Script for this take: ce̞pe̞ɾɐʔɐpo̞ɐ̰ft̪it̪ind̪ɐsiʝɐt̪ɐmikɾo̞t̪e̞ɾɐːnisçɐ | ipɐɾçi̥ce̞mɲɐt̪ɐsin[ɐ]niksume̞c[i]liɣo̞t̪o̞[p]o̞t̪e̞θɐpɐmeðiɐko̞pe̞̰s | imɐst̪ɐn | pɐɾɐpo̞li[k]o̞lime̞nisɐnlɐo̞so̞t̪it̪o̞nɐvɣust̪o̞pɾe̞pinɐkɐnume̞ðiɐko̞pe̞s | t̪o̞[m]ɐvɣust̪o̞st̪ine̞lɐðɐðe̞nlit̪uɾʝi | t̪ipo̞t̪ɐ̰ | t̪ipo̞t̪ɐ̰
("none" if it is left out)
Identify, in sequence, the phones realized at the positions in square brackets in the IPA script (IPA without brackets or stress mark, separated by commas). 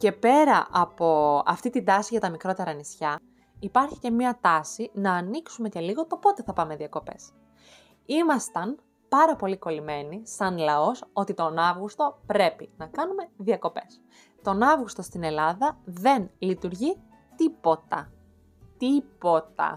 ɐː, e, p, k, n